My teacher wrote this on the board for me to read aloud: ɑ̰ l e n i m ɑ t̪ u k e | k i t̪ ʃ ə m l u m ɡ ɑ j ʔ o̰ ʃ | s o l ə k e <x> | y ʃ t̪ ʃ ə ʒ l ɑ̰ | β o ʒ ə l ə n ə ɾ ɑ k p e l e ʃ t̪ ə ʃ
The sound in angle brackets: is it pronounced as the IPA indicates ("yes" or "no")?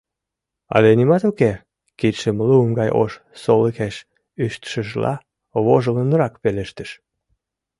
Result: no